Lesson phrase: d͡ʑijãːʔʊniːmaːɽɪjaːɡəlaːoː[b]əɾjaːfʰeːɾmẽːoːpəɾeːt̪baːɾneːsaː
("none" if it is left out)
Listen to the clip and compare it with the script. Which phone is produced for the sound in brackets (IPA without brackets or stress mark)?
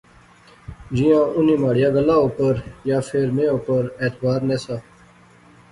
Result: p